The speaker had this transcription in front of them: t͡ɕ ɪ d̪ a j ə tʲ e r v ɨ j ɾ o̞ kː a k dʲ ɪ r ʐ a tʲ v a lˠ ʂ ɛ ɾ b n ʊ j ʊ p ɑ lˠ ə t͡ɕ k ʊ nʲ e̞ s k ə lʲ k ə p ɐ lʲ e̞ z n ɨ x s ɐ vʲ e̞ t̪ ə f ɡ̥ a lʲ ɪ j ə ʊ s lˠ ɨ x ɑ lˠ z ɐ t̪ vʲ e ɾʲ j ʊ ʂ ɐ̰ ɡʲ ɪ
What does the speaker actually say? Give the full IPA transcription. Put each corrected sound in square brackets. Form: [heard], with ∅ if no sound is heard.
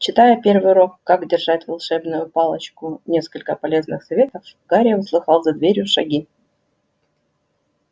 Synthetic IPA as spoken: t͡ɕ ɪ [t̪] a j ə [pʲ] e r v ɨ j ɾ o̞ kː a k dʲ ɪ r ʐ a tʲ v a lˠ ʂ ɛ [∅] b n ʊ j ʊ p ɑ lˠ ə t͡ɕ k ʊ nʲ e̞ s k ə lʲ k ə p ɐ lʲ e̞ z n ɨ x s ɐ vʲ e̞ t̪ ə f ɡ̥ a [ɾʲ] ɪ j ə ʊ s lˠ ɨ x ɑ lˠ z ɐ [d̪] vʲ e ɾʲ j ʊ ʂ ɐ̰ ɡʲ [i]

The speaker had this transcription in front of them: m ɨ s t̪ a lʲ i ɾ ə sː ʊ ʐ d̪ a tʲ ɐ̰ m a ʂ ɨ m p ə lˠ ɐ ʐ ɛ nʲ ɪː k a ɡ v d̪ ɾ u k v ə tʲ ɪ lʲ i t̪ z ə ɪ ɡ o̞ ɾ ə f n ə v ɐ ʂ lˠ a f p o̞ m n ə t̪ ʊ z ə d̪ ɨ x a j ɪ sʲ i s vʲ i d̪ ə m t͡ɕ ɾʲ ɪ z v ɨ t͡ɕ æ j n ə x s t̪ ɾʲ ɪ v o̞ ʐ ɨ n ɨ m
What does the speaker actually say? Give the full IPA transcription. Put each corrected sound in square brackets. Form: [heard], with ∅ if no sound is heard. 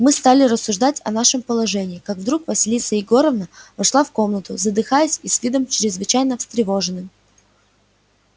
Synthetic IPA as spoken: m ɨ s t̪ a lʲ [ɪ] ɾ ə sː ʊ ʐ d̪ a tʲ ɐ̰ [n] a ʂ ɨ m p ə lˠ ɐ ʐ ɛ nʲ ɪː k a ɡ v d̪ ɾ u k v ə [sʲ] ɪ lʲ i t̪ [s] ə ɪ ɡ o̞ ɾ ə [v] n ə v ɐ ʂ lˠ a f [k] o̞ m n ə t̪ ʊ z ə d̪ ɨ x a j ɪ sʲ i s vʲ i d̪ ə m t͡ɕ ɾʲ ɪ z v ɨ t͡ɕ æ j n ə [f] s t̪ ɾʲ ɪ v o̞ ʐ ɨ n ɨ m

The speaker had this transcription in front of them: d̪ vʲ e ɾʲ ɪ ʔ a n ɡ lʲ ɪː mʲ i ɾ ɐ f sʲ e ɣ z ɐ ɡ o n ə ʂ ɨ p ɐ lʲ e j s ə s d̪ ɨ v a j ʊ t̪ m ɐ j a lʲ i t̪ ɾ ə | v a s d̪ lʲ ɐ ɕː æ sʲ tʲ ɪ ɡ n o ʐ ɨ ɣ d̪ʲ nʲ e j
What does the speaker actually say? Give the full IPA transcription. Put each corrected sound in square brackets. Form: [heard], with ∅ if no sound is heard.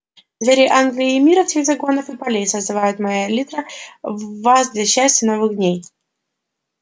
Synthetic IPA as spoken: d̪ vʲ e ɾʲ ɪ ʔ a n ɡ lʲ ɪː mʲ i ɾ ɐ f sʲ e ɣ z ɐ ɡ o n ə [f] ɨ p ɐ lʲ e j s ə [z] d̪ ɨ v a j ʊ t̪ m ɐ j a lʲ i t̪ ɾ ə | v a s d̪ lʲ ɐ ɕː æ sʲ tʲ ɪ [∅] n o [v] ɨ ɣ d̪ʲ nʲ e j

